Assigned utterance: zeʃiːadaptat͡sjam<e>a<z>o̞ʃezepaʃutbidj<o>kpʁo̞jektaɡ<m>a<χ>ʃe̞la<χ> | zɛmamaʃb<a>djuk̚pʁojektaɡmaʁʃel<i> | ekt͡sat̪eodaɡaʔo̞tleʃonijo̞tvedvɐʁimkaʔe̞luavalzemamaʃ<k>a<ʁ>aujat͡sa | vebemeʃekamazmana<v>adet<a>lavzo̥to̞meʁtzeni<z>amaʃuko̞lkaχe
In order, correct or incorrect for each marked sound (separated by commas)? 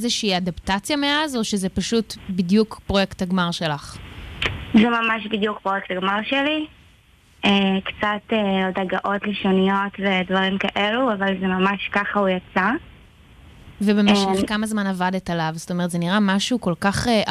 correct, correct, incorrect, correct, incorrect, correct, incorrect, correct, correct, incorrect, correct, correct, incorrect